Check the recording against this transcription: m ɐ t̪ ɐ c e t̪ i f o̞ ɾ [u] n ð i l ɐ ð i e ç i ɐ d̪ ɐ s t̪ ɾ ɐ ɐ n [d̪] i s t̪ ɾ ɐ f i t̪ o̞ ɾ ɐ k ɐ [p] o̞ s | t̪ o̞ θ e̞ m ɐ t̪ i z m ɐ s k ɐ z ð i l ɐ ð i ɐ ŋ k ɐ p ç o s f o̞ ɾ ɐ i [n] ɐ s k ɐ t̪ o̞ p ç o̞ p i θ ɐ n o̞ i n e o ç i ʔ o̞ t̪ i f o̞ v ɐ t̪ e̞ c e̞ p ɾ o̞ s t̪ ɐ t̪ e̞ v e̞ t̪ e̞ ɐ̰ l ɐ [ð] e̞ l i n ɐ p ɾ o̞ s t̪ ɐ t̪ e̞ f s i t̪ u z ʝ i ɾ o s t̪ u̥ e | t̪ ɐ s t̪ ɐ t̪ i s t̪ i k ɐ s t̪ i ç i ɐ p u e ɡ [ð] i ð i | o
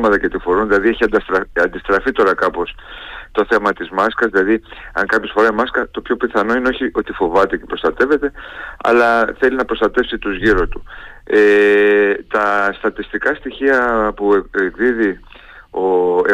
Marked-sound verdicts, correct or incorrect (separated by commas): correct, correct, correct, incorrect, incorrect, correct